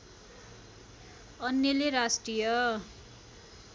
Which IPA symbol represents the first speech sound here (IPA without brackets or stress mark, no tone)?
ʌ